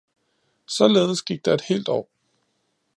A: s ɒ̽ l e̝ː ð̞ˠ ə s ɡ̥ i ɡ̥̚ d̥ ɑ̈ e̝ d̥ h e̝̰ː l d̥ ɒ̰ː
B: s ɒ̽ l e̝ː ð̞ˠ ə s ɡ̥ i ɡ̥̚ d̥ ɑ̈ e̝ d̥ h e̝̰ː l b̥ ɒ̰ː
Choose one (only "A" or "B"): A